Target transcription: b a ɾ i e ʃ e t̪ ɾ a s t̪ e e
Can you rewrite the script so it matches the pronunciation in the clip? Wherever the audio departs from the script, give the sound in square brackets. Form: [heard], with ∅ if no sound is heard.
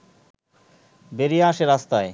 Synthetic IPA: b [e] ɾ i [a] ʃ e [∅] ɾ a s t̪ [a] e